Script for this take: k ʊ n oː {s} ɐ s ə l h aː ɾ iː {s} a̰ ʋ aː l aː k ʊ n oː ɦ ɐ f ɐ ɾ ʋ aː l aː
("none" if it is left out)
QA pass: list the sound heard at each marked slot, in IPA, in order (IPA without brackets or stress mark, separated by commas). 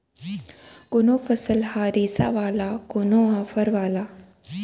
f, s